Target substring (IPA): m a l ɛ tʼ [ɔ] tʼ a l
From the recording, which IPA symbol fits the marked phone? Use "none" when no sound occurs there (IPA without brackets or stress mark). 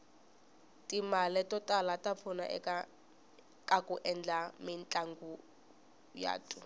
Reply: ɔ